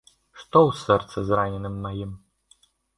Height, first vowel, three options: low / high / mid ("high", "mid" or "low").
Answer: mid